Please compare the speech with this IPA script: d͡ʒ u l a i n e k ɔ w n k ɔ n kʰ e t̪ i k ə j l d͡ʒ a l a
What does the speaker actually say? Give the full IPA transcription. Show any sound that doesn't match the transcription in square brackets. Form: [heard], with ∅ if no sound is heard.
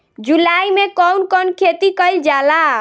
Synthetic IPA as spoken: d͡ʒ u l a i [m] e k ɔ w n k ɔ n kʰ e t̪ i k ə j l d͡ʒ a l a